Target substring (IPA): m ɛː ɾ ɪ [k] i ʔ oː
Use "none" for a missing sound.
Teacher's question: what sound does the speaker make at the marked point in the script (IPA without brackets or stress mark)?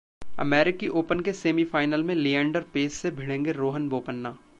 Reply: k